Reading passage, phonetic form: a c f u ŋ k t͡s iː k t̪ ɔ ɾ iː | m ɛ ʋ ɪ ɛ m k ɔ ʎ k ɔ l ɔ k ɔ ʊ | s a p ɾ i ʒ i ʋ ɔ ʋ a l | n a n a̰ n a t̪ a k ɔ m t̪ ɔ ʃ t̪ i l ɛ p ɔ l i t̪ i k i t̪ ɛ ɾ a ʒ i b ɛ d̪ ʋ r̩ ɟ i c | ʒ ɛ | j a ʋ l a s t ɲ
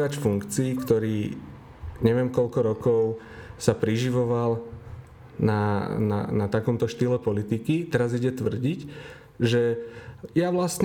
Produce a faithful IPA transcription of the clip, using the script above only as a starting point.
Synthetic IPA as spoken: a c f u ŋ k t͡s iː k t̪ ɔ ɾ iː | ɲ ɛ ʋ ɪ ɛ m k ɔ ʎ k ɔ ɾ ɔ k ɔ ʊ | s a p ɾ i ʒ i ʋ ɔ ʋ a l | n a n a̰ n a t̪ a k ɔ m t̪ ɔ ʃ t̪ i l ɛ p ɔ l i t̪ i k i t̪ ɛ ɾ a z i ɟ ɛ t̪ ʋ r̩ ɟ i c | ʒ ɛ | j a ʋ l a s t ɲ